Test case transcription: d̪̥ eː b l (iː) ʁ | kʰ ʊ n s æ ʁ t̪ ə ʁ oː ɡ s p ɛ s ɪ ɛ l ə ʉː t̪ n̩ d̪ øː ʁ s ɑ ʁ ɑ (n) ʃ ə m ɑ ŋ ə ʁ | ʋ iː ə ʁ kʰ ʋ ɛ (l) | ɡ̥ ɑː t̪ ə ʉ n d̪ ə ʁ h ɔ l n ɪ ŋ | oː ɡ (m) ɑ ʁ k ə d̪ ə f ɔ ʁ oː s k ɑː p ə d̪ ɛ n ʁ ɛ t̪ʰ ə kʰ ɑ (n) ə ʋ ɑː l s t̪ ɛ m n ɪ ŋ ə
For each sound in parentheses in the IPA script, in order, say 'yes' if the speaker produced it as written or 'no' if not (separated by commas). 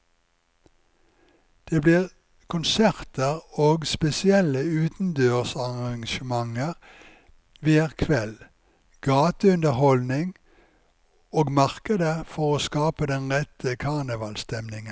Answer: yes, no, yes, yes, yes